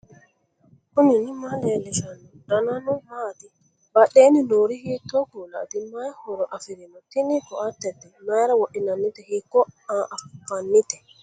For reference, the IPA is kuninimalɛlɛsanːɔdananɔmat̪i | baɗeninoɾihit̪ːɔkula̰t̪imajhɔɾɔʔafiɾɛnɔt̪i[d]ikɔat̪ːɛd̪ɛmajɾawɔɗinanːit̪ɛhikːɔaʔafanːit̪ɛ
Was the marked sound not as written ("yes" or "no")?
yes